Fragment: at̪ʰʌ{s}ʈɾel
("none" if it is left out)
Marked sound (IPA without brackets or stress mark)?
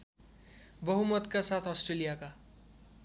s